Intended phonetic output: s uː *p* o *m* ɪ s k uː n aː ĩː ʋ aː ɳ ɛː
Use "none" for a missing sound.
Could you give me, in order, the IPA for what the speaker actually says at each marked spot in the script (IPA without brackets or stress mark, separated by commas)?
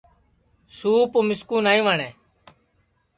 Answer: p, m